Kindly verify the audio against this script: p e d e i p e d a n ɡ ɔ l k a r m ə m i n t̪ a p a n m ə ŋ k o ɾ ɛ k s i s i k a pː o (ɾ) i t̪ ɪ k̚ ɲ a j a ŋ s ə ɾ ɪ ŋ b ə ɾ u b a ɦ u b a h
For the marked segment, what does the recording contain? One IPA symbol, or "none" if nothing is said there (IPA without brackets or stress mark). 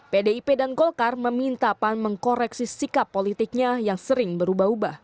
l